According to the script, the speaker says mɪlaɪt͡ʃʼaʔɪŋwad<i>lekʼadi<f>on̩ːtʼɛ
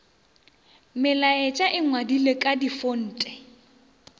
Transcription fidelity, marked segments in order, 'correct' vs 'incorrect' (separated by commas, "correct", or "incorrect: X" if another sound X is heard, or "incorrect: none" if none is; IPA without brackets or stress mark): correct, correct